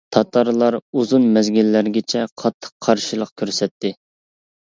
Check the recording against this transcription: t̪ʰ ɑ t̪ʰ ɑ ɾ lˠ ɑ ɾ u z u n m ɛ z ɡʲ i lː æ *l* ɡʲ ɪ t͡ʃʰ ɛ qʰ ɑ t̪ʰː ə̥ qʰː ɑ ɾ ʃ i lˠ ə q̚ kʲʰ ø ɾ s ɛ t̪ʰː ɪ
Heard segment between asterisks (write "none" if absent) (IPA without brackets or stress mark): ɾ